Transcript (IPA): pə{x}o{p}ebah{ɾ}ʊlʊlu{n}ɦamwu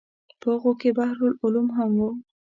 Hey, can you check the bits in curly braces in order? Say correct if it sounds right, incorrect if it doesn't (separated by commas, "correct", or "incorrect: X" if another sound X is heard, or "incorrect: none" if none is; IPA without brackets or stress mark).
incorrect: ɣ, incorrect: k, correct, incorrect: m